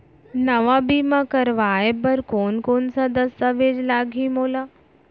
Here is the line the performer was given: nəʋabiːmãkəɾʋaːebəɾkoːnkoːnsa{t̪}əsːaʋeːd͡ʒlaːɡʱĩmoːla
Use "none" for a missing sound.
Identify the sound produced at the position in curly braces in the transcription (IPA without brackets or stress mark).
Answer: d̪